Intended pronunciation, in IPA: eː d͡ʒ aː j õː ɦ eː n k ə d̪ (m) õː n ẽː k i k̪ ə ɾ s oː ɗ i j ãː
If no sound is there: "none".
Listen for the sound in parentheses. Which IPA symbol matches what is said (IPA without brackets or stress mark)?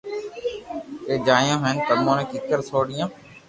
m